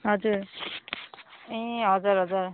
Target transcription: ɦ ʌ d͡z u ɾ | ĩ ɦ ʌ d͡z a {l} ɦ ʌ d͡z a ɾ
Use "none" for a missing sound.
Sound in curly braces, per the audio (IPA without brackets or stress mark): ɾ